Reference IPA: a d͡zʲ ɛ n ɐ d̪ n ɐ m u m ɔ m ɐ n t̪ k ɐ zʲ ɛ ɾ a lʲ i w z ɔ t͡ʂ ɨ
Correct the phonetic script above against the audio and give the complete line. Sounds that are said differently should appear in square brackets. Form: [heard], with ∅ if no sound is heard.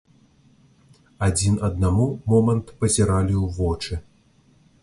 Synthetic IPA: a d͡zʲ [i] n ɐ d̪ n [a] m u m ɔ m ɐ n t̪ [p] ɐ zʲ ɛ ɾ a lʲ i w [v] ɔ t͡ʂ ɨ